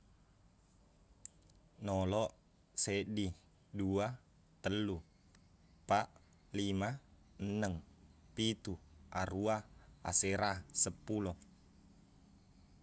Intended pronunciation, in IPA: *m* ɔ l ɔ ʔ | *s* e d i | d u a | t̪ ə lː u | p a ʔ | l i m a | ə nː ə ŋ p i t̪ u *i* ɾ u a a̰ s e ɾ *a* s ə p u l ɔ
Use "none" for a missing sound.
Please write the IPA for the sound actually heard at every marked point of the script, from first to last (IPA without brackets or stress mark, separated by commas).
n, s, a, a